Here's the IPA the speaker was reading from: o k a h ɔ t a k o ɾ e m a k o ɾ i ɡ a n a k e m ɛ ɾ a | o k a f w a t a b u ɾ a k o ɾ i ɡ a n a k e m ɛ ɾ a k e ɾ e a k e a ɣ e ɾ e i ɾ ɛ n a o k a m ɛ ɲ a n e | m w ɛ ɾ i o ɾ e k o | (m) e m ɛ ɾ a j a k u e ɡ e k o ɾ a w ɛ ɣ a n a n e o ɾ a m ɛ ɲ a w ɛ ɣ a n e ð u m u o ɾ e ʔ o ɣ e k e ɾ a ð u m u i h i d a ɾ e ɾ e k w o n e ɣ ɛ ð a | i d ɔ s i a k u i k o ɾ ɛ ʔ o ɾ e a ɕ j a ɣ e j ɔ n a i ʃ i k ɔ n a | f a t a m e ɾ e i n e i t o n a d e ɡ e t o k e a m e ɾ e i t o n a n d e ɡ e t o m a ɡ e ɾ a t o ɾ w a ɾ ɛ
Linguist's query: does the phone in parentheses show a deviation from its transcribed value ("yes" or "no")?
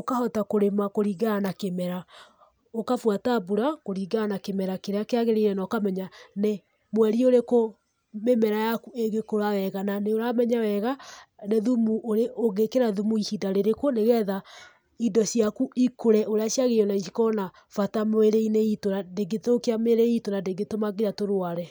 no